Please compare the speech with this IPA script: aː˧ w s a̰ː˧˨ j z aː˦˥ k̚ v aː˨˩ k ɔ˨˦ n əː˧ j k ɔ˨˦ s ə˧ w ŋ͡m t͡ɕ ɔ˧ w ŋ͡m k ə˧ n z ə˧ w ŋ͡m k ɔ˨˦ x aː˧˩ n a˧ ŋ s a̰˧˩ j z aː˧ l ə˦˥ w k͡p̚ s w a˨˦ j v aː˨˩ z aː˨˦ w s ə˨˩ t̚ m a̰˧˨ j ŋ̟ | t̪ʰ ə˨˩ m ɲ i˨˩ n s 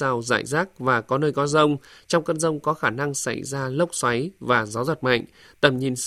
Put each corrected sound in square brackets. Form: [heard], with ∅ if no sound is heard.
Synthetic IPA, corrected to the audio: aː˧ w [z] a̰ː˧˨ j z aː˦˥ k̚ v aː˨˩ k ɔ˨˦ n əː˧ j k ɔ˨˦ [z] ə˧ w ŋ͡m t͡ɕ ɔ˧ w ŋ͡m k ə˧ n z ə˧ w ŋ͡m k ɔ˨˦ x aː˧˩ n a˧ ŋ s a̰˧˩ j z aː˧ l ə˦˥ w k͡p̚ s w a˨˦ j v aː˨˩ z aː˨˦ w [z] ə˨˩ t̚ m a̰˧˨ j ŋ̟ | [t̪] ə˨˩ m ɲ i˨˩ n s